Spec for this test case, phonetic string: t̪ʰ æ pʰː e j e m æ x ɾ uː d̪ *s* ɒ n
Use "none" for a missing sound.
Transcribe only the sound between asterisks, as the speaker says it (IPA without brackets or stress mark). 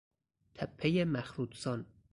s